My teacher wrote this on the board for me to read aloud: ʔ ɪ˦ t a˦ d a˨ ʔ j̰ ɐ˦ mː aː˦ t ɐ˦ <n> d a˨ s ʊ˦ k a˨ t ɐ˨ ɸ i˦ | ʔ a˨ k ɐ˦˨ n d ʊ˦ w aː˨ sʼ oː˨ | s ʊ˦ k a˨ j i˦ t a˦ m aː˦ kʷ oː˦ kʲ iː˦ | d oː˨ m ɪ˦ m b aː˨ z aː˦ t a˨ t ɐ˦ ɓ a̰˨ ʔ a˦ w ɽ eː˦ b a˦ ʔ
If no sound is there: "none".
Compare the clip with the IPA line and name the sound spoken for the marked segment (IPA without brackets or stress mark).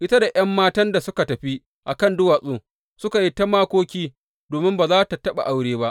n